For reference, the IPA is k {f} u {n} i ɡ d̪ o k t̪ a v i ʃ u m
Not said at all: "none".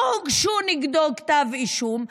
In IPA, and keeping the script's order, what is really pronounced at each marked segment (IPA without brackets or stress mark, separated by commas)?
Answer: ʃ, n